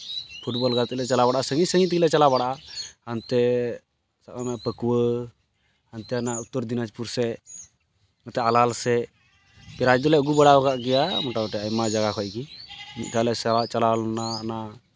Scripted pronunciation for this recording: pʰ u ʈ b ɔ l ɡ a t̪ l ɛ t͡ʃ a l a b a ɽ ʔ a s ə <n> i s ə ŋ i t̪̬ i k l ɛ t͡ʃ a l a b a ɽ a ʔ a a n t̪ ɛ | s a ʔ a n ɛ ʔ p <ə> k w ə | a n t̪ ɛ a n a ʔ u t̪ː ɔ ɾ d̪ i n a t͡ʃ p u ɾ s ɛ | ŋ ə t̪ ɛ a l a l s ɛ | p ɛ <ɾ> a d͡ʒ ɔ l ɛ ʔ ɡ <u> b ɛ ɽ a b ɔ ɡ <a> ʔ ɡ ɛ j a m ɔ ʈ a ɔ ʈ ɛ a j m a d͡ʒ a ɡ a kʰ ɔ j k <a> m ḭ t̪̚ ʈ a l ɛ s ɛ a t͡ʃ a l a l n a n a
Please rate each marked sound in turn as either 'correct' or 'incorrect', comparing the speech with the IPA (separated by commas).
incorrect, correct, correct, correct, correct, incorrect